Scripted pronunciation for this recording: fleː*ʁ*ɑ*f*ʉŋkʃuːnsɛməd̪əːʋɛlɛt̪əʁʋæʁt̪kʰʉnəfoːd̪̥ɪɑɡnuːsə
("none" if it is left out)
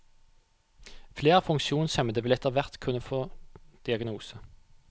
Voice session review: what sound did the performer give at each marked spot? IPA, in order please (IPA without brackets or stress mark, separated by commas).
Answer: ʁ, f